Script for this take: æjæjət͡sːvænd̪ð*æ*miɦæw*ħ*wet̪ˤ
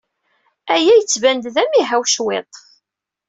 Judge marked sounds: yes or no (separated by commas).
yes, no